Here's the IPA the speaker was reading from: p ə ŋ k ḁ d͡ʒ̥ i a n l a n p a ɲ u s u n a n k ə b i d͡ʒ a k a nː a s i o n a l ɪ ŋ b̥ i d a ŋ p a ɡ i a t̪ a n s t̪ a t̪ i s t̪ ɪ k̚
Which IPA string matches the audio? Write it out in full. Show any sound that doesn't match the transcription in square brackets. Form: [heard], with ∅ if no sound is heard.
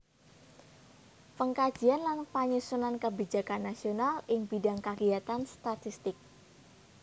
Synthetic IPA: p ə ŋ k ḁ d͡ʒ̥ i a n l a n p a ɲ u s u n a n k ə b i d͡ʒ a k a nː a s i o n a l ɪ ŋ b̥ i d a ŋ [k] a ɡ i a t̪ a n s t̪ a t̪ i s t̪ ɪ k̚